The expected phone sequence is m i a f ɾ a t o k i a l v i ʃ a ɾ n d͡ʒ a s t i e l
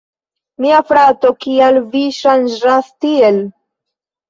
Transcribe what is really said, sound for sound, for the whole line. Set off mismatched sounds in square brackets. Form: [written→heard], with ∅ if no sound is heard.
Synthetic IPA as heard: m i a f ɾ a t o k i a l v i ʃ a [ɾ→∅] n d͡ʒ a s t i e l